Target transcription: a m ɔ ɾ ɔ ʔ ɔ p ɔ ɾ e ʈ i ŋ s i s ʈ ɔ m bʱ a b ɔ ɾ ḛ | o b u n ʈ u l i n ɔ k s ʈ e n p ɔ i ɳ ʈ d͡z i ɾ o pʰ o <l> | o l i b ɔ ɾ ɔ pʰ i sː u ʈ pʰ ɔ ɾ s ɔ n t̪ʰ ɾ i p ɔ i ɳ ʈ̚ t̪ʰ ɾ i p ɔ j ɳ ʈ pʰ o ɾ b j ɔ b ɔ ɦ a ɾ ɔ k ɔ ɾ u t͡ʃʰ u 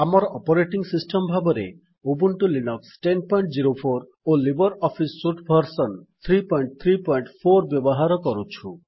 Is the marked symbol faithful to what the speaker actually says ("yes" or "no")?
no